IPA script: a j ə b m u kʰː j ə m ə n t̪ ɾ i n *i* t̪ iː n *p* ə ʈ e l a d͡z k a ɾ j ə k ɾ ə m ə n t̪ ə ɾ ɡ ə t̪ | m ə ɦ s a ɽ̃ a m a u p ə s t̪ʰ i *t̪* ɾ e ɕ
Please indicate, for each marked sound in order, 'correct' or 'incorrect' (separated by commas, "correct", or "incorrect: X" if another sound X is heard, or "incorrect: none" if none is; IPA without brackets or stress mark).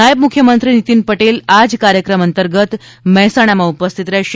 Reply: correct, correct, correct